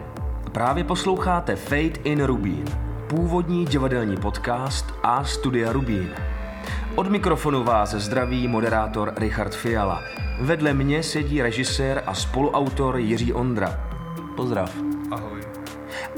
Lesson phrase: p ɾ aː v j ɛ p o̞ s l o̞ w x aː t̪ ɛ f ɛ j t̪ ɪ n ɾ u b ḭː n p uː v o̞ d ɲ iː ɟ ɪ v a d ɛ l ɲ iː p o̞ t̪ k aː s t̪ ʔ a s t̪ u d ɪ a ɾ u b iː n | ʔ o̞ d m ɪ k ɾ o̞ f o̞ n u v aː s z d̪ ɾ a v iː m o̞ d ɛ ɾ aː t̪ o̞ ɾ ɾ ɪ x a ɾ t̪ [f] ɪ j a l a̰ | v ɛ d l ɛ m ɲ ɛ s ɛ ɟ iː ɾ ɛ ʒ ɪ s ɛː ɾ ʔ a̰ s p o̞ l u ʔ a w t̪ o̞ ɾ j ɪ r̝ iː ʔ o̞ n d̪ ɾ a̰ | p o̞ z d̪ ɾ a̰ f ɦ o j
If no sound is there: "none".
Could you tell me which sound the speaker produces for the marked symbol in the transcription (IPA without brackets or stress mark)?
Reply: f